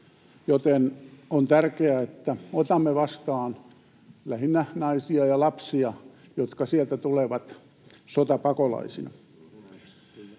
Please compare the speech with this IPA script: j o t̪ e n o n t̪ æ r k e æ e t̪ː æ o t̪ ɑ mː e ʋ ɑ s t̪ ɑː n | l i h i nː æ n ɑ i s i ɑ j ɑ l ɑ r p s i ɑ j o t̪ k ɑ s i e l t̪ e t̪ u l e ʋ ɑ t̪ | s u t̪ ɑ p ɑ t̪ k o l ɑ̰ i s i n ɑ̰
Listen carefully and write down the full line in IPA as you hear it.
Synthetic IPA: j o t̪ e n o n t̪ æ r k e æ e t̪ː æ o t̪ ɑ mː e ʋ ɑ s t̪ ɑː n | l æ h i nː æ n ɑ i s i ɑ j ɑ l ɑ p s i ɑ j o t̪ k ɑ s i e l t̪ æ t̪ u l e ʋ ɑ t̪ | s o t̪ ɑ p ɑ k o l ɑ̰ i s i n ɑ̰

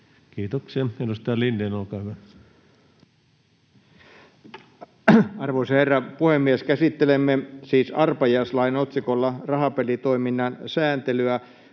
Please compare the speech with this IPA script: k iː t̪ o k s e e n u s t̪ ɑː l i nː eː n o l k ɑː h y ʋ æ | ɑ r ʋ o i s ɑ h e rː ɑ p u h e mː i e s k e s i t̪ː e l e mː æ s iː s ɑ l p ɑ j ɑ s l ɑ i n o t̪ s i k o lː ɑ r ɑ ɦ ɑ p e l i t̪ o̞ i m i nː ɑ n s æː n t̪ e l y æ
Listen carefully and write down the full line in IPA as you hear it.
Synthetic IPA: k iː t̪ o k s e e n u s t̪ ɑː l i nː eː n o l k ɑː h y ʋ æ | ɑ r ʋ o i s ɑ h e rː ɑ p u h e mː i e s k æ s i t̪ː e l e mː e s iː s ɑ r p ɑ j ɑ s l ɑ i n o t̪ s i k o lː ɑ r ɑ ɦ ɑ p e l i t̪ o̞ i m i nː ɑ n s æː n t̪ e l y æ

